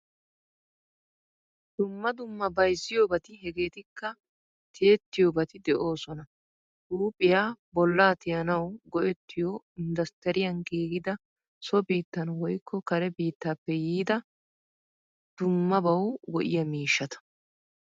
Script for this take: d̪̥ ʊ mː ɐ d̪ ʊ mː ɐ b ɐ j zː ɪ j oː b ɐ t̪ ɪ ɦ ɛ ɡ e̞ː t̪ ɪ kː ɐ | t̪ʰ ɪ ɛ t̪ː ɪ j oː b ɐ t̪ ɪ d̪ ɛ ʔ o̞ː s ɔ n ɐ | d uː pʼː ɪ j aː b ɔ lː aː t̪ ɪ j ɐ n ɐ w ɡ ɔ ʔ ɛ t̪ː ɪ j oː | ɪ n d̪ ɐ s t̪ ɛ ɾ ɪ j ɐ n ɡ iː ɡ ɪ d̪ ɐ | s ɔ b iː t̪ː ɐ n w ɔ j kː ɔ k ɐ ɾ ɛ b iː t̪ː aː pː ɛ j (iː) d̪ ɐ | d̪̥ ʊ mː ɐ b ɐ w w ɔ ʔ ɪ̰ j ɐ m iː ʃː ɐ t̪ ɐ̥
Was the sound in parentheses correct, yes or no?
yes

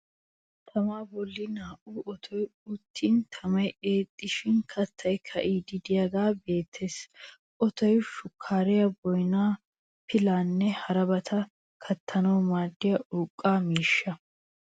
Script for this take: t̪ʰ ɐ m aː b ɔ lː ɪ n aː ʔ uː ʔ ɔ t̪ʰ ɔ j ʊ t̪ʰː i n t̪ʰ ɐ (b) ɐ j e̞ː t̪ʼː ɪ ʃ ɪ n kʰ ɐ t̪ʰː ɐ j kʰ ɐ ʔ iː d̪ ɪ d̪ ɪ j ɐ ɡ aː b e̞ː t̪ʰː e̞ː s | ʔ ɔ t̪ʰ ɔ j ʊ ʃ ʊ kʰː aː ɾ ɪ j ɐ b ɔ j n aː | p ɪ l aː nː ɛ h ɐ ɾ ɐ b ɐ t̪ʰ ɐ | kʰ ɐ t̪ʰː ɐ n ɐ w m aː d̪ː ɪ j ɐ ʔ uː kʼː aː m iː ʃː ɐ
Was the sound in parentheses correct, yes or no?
no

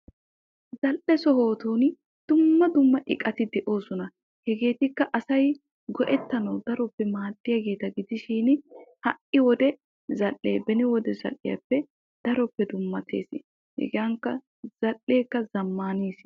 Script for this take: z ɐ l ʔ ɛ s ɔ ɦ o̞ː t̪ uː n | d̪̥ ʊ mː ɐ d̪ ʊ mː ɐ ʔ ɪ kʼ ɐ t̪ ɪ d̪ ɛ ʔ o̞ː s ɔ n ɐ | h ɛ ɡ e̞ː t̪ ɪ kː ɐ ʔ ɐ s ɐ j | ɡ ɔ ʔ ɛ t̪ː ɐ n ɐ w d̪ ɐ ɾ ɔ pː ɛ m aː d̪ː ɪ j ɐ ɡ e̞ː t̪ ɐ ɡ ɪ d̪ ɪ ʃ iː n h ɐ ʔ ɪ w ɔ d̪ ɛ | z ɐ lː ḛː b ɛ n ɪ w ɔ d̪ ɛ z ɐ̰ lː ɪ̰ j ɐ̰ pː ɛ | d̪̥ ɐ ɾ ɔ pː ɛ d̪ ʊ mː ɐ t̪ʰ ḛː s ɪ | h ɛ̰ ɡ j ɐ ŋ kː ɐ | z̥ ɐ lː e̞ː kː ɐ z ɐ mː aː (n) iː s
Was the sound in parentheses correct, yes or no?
yes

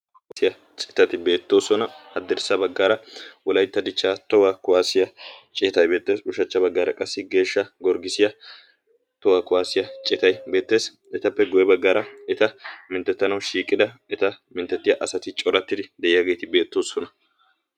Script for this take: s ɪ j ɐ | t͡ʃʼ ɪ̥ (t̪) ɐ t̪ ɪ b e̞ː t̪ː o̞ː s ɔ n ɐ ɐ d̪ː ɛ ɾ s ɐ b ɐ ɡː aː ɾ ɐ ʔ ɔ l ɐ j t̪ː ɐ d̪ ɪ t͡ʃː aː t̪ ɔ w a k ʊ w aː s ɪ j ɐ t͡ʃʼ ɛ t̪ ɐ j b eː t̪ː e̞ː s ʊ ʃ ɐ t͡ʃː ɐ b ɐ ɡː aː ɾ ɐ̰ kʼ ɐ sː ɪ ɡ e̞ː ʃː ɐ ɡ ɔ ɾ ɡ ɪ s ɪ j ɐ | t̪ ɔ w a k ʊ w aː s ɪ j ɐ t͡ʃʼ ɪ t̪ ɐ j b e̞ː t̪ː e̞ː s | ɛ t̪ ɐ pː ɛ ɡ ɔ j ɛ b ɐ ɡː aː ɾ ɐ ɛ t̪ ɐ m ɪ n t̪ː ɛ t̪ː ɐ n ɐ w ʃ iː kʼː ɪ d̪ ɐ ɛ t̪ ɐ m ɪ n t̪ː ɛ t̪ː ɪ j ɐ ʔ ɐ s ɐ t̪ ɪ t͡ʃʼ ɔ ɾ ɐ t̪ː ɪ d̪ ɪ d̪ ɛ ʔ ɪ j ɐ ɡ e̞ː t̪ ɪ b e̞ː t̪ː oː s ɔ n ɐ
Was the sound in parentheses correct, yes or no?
yes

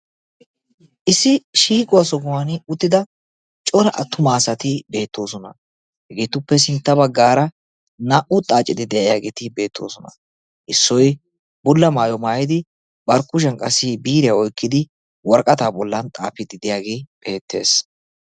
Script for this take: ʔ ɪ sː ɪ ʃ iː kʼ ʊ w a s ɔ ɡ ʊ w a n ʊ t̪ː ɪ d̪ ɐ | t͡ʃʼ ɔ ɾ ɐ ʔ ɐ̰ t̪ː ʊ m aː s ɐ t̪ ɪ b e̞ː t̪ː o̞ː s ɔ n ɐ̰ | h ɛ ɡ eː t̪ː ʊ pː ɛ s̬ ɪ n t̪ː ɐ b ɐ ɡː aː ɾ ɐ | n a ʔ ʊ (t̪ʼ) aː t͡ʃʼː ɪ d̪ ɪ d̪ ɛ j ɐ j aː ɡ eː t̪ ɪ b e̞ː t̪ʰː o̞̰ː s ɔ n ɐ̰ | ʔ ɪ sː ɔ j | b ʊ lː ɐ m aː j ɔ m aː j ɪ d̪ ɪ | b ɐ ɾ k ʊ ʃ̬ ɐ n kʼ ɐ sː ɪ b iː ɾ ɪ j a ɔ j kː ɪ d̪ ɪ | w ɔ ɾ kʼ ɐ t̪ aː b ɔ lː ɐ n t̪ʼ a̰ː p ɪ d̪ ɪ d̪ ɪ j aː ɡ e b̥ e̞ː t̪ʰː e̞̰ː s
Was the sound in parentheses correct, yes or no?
yes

